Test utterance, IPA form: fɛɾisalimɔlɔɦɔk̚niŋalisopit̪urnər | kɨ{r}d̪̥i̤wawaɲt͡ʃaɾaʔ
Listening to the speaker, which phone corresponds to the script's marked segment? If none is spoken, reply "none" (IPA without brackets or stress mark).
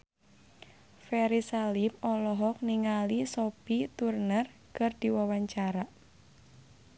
r